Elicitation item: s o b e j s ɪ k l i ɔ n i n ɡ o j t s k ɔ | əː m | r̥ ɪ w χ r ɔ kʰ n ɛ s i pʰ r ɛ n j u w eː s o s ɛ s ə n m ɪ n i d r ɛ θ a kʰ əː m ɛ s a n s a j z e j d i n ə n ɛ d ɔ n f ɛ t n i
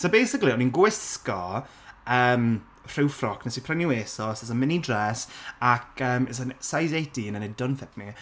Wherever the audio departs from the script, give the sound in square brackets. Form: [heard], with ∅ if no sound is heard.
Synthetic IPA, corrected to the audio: s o b e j s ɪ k l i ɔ n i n ɡ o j [s] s k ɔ | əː m | r̥ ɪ w [f] r ɔ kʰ n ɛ s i pʰ r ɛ n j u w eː s [ɔ] s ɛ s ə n m ɪ n i d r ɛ [s] a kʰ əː m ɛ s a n s a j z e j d i n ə n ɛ d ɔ n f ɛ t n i

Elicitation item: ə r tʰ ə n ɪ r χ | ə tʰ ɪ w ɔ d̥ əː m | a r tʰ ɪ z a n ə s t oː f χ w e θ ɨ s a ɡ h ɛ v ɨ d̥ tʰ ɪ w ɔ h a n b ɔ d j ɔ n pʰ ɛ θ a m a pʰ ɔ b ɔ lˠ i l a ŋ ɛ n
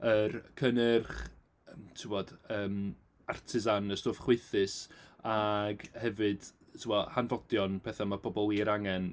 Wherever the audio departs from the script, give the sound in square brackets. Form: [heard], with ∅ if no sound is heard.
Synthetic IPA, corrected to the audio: ə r [kʰ] ə n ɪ r χ | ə tʰ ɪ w ɔ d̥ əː m | a r tʰ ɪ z a n ə s t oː f χ w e θ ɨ s a ɡ h ɛ v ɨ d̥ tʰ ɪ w ɔ h a n [v] ɔ d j ɔ n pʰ ɛ θ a m a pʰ ɔ b ɔ lˠ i [ɾ] a ŋ ɛ n

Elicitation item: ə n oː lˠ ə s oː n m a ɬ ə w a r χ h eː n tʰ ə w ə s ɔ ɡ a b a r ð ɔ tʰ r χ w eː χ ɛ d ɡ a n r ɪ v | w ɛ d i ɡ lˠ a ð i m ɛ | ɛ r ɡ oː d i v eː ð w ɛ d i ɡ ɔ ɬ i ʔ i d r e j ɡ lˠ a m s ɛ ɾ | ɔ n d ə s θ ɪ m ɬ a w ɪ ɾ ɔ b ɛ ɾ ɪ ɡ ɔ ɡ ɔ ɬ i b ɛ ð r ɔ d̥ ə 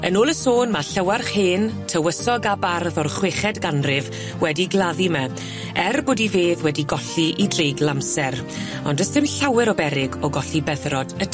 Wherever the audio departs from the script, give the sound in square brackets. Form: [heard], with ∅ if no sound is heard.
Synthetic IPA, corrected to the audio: ə n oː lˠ ə s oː n m a ɬ ə w a r χ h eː n tʰ ə w ə s ɔ ɡ a b a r ð ɔ [∅] r χ w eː χ ɛ d ɡ a n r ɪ v | w ɛ d i ɡ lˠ a ð i m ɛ | ɛ r [b] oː d i v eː ð w ɛ d i ɡ ɔ ɬ i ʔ i d r e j ɡ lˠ a m s ɛ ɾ | ɔ n d ə s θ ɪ m ɬ a w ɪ ɾ ɔ b ɛ ɾ ɪ ɡ ɔ ɡ ɔ ɬ i b ɛ ð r ɔ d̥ ə

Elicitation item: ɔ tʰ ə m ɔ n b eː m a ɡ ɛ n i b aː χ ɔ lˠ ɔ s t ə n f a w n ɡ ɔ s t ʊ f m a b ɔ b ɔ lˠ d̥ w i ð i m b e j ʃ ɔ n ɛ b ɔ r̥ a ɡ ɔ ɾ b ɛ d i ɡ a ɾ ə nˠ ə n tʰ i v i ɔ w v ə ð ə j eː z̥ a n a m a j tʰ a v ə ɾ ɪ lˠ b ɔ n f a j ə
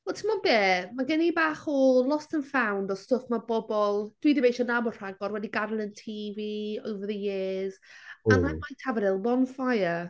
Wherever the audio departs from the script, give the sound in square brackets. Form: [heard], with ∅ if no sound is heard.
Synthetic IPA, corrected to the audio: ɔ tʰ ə m ɔ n b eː m a ɡ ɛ n i b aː χ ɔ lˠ ɔ s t ə n f a w n [d] ɔ s t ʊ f m a b ɔ b ɔ lˠ d̥ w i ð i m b e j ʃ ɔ n [a] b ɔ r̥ a ɡ ɔ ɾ [w] ɛ d i ɡ a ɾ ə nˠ ə n tʰ i v i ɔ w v ə ð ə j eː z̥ a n a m a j tʰ a v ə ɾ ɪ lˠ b ɔ n f a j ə

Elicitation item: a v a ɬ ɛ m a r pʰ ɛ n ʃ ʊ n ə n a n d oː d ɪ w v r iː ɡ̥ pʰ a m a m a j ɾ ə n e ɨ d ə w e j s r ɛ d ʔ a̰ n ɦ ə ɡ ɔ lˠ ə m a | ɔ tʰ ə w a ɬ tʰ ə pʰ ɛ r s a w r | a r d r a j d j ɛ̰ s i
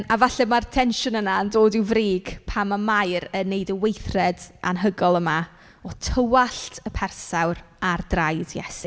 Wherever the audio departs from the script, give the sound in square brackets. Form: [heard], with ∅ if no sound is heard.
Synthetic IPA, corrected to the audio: a v a ɬ ɛ m a r [tʰ] ɛ n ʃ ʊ n ə n a n d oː d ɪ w v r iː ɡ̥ pʰ a m a m a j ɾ ə n e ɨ d ə w e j [θ] r ɛ d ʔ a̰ n ɦ ə ɡ ɔ lˠ ə m a | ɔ tʰ ə w a ɬ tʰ ə pʰ ɛ r s a w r | a r d r a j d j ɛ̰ s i

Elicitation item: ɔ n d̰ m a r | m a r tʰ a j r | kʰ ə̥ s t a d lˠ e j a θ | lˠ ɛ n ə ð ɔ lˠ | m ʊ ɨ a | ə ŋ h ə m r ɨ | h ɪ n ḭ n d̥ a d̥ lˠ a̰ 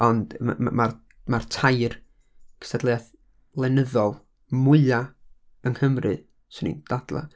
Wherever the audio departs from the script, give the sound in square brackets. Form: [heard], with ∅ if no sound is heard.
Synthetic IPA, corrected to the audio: ɔ n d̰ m a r | m a r tʰ a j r | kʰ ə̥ s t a d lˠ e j a θ | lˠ ɛ n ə ð ɔ lˠ | m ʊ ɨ a | ə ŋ h ə m r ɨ | [s] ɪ n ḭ n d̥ a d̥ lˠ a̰

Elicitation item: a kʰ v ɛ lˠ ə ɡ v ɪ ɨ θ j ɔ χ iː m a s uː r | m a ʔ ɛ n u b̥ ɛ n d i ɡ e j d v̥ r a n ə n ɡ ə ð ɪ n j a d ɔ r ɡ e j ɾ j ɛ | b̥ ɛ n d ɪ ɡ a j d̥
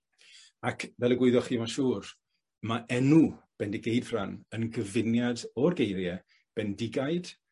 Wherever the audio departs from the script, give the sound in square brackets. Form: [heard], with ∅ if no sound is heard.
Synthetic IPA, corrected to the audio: a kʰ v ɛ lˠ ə ɡ [w] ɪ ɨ [ð] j ɔ χ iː m a [ʃ] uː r | m a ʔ ɛ n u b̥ ɛ n d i ɡ e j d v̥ r a n ə n ɡ ə [v] ɪ n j a d ɔ r ɡ e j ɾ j ɛ | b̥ ɛ n d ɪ ɡ a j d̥

